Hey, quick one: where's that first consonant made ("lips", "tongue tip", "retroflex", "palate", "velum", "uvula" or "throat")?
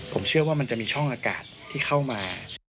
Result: lips